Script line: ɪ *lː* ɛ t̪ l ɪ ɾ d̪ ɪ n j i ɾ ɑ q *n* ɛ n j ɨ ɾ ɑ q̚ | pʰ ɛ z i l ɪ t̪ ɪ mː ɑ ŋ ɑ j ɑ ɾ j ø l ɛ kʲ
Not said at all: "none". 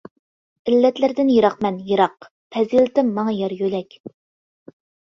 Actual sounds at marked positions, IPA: lː, m

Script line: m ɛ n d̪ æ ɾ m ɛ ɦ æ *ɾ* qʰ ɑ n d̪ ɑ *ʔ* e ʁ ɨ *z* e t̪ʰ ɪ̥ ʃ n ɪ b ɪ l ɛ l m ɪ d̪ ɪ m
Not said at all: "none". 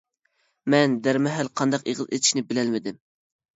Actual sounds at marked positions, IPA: l, q, z

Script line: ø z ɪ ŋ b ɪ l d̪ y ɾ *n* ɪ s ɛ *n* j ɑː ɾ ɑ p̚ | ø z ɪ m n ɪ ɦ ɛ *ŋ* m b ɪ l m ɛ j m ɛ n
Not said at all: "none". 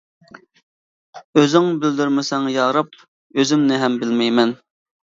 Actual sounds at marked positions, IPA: m, ŋ, none

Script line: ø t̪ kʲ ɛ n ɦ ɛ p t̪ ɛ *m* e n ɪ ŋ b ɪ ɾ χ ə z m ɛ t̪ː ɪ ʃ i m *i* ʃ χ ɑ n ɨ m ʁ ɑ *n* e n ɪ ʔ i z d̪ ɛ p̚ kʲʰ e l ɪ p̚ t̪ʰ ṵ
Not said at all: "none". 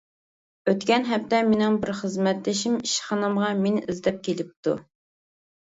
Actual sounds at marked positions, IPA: m, i, m

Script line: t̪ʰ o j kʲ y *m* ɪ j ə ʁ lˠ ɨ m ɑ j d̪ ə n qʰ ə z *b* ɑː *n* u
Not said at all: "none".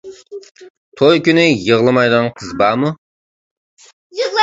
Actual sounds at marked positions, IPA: n, b, m

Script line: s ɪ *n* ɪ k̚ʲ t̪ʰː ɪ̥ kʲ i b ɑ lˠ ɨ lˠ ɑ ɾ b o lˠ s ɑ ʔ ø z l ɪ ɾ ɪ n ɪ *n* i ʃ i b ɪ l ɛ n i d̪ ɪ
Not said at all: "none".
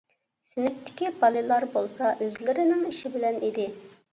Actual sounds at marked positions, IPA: n, ŋ

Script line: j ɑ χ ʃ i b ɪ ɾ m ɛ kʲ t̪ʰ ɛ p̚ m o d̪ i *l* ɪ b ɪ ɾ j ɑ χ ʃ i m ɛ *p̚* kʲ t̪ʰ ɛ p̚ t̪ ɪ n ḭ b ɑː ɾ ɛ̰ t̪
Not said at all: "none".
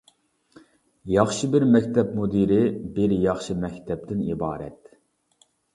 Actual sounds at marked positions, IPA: ɾ, none

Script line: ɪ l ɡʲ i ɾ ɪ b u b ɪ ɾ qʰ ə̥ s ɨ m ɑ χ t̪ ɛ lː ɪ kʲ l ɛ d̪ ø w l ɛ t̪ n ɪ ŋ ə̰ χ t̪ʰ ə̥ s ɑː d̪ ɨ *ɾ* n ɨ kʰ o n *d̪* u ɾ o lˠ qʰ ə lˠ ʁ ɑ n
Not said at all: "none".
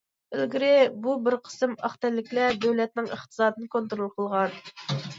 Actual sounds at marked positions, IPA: none, t̪

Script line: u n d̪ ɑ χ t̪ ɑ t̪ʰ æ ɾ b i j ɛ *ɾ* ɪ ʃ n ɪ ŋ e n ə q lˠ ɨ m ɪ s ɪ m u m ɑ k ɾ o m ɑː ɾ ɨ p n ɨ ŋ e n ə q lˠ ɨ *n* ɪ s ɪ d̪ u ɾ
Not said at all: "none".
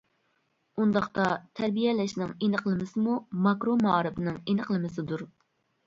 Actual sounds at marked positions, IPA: l, m

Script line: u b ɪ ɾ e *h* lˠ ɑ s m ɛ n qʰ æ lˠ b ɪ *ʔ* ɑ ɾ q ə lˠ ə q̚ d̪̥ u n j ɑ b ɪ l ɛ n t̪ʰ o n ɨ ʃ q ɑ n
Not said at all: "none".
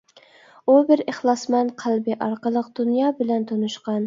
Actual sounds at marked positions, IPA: χ, ʔ

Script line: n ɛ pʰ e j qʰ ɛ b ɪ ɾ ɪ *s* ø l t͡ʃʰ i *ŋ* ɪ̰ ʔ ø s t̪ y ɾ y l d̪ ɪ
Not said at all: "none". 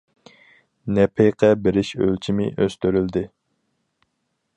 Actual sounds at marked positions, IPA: ʃ, m

